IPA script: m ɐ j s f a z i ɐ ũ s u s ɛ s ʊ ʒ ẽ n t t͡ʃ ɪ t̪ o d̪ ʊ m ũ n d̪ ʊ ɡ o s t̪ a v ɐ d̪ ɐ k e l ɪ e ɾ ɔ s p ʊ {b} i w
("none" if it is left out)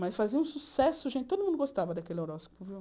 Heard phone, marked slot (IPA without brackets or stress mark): v